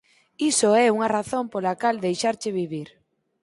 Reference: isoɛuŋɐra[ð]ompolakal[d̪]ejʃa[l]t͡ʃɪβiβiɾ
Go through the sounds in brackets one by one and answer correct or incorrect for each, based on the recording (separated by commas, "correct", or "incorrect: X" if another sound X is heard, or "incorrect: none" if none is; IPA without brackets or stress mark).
incorrect: θ, correct, incorrect: ɾ